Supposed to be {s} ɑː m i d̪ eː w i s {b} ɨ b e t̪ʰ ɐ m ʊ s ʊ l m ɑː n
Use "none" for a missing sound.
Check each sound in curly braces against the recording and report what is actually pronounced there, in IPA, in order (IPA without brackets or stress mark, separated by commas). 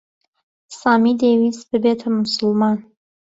s, b